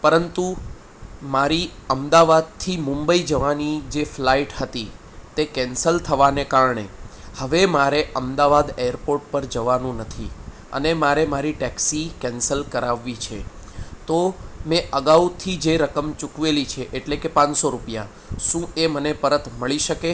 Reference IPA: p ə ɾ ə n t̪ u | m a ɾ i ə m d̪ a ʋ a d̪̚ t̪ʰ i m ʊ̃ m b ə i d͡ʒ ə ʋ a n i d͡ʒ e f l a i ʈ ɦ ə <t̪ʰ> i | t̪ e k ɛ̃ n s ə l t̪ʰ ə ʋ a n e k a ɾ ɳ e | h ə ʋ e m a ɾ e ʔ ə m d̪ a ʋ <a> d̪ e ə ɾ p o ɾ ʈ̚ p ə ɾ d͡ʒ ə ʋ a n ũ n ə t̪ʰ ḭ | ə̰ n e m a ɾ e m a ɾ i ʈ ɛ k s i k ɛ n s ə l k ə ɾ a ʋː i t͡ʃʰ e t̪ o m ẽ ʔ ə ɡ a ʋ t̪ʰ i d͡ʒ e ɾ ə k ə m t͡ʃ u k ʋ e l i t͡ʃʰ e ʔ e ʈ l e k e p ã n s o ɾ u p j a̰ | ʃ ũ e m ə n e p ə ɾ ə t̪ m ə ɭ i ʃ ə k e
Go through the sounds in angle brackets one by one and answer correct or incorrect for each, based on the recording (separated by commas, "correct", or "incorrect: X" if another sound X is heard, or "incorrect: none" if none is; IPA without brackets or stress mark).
incorrect: t̪, correct